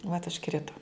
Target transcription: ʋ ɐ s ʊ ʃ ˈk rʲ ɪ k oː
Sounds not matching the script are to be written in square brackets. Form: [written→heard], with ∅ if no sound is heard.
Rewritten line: ʋ ɐ [s→t] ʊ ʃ ˈk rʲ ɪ [k→t] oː